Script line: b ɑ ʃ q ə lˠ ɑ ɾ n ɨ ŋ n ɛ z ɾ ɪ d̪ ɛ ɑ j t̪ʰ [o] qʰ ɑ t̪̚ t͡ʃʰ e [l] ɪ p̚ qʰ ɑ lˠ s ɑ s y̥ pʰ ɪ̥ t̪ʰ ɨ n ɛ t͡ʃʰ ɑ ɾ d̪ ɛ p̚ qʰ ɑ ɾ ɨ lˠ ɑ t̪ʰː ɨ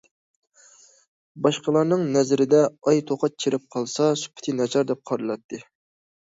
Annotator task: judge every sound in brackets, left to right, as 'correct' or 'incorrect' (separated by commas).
correct, incorrect